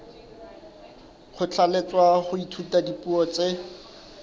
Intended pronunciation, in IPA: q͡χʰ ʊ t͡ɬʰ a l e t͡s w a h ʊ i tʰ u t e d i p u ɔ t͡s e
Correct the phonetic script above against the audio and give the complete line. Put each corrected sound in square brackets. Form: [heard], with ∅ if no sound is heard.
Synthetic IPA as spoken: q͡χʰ ʊ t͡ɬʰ a l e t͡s w a [χ] ʊ i tʰ u t [a] d i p u ɔ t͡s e